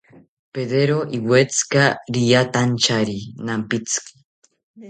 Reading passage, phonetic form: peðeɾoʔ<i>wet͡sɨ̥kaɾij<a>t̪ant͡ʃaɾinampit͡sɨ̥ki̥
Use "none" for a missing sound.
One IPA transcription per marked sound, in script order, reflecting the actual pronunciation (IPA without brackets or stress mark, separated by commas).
i, a